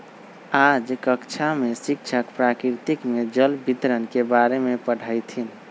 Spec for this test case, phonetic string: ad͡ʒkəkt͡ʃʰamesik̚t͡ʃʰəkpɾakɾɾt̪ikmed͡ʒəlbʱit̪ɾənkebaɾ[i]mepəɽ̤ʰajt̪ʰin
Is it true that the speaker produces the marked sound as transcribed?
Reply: no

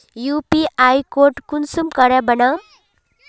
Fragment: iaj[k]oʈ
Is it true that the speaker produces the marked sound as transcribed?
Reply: yes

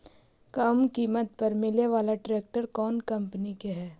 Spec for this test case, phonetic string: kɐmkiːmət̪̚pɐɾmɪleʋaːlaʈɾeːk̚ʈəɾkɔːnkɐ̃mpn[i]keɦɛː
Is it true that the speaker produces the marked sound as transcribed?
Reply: yes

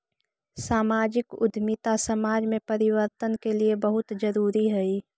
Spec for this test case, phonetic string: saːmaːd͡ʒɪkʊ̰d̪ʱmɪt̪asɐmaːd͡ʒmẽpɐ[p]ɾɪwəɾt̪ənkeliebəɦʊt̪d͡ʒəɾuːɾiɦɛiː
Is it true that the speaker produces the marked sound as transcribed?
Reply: no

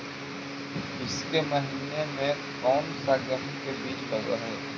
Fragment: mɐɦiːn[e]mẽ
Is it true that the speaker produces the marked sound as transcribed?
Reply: yes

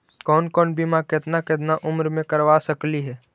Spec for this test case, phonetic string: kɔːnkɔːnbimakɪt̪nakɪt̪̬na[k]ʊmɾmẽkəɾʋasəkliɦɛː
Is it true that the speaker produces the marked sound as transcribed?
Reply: no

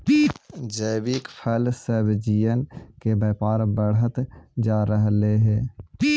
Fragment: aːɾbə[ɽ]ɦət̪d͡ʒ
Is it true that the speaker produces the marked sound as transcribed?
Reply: yes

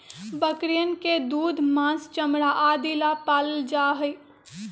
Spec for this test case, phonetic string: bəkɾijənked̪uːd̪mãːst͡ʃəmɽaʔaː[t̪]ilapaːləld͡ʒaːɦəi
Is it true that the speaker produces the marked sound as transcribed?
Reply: no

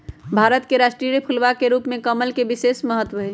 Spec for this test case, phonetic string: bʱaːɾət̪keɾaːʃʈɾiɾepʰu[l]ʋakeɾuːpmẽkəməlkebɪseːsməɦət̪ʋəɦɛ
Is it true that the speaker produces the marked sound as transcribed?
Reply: yes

